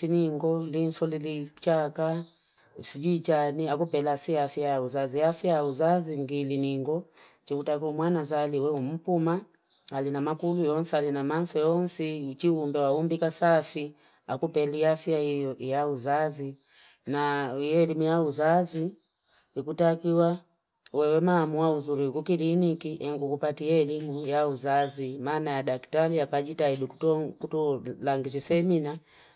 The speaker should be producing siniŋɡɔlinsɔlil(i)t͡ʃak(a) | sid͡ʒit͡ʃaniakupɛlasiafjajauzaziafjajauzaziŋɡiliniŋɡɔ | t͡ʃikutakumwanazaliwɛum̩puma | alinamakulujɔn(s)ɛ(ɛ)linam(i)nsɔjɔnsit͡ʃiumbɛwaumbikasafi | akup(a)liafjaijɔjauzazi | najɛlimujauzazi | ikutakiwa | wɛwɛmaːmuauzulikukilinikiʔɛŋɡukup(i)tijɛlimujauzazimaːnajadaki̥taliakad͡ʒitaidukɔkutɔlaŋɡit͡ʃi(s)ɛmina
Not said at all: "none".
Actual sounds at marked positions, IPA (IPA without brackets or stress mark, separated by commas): i, a, s, a, a, ɛ, a, s